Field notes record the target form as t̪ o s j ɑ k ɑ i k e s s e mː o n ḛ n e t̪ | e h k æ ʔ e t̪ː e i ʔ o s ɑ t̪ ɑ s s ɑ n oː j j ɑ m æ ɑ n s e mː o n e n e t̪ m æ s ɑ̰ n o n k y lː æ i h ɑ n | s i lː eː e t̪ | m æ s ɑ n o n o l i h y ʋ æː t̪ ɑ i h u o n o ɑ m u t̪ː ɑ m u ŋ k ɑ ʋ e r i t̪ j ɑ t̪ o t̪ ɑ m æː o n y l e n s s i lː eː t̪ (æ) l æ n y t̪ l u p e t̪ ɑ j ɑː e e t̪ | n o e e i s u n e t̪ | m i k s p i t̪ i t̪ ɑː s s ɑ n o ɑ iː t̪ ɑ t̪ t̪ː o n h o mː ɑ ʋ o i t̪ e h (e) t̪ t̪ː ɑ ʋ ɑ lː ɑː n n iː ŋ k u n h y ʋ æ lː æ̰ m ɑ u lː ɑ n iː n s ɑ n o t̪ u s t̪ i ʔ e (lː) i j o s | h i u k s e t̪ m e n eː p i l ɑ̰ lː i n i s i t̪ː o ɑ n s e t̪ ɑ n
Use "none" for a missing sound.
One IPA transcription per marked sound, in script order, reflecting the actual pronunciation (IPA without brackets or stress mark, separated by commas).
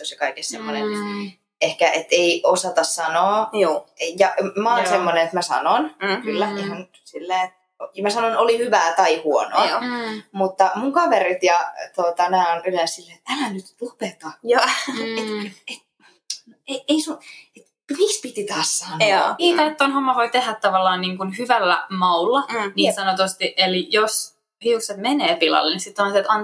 æ, æ, l